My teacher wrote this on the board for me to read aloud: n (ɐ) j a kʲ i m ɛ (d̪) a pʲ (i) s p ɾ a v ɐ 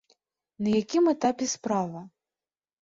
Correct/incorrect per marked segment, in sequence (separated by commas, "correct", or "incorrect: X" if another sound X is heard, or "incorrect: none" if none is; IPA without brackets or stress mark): correct, incorrect: t̪, incorrect: ɛ